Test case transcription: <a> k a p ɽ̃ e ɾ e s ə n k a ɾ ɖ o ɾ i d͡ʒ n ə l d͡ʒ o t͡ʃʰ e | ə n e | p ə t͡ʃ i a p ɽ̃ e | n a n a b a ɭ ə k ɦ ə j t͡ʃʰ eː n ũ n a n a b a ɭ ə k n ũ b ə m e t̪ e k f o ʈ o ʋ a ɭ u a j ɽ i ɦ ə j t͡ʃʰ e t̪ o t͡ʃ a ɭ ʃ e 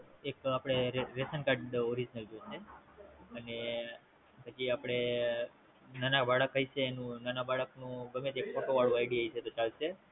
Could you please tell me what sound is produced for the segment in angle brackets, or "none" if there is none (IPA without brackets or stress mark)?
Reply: e